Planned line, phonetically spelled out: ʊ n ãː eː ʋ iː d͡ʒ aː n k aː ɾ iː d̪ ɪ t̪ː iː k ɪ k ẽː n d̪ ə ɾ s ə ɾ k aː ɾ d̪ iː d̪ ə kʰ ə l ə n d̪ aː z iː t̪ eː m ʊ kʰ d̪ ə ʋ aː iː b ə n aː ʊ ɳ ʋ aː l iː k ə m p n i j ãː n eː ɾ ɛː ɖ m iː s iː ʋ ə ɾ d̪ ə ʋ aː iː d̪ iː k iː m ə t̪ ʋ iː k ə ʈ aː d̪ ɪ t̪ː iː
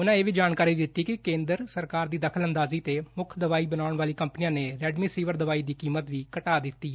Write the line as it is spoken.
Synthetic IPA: ʊ n ãː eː ʋ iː d͡ʒ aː n k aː ɾ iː d̪ ɪ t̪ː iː k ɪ k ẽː n d̪ ə ɾ s ə ɾ k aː ɾ d̪ iː d̪ ə kʰ ə l ə n d̪ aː z iː t̪ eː m ʊ kʰ d̪ ə ʋ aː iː b ə n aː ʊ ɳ ʋ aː l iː k ə m p n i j ãː n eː ɾ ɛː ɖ m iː s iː ʋ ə ɾ d̪ ə ʋ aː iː d̪ iː k iː m ə t̪ ʋ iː k ə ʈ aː d̪ ɪ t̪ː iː